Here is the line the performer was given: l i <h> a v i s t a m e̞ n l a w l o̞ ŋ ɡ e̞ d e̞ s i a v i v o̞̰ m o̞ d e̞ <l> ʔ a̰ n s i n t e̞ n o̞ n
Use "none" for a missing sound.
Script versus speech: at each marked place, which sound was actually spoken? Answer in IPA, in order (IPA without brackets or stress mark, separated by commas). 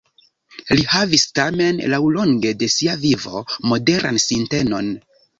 h, ɾ